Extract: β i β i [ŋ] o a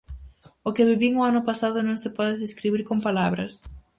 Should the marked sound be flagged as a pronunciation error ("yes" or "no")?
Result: no